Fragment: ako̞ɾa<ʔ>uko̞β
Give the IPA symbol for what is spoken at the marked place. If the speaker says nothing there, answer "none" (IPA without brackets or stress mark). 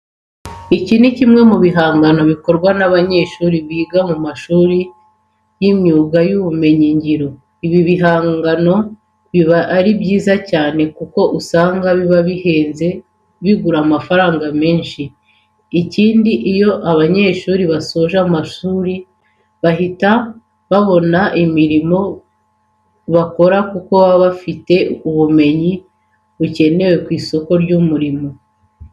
k